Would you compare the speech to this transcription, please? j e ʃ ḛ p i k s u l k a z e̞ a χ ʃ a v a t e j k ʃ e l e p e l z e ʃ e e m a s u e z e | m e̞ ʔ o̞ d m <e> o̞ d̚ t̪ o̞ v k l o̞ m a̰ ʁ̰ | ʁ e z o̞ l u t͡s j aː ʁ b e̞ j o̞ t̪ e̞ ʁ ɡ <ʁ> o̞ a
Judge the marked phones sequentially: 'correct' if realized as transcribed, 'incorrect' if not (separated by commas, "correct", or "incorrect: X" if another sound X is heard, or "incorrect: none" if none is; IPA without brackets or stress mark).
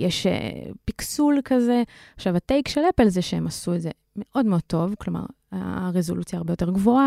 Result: correct, incorrect: v